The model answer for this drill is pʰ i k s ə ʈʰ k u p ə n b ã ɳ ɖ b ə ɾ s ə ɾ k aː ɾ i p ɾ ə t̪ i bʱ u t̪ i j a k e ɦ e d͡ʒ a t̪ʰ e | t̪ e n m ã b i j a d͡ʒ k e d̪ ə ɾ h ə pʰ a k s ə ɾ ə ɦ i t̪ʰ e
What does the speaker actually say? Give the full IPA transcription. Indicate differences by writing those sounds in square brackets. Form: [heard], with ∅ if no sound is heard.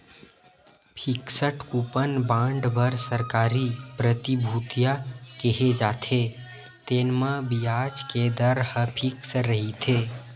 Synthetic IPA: pʰ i k s ə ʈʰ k u p ə n b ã ɳ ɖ b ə ɾ s ə ɾ k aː ɾ i p ɾ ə t̪ i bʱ u t̪ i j a k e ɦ e d͡ʒ a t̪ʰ e | t̪ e n m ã b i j a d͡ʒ k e d̪ ə ɾ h ə pʰ [i] k s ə ɾ ə ɦ i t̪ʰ e